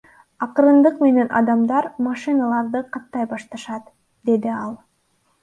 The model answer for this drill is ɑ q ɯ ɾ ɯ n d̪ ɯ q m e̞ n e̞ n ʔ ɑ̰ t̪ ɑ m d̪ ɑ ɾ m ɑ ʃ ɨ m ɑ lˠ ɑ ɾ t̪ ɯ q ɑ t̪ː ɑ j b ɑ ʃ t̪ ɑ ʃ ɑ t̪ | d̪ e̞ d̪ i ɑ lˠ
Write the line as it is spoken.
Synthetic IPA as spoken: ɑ q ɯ ɾ ɯ n d̪ ɯ q m e̞ n e̞ n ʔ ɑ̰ d̪ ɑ m d̪ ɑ ɾ m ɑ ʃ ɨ n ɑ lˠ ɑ ɾ d̪ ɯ q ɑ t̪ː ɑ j b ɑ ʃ t̪ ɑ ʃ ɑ t̪ | d̪ e̞ d̪ i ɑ lˠ